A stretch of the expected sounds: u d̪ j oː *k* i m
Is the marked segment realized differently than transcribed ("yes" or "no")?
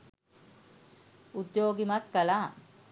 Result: yes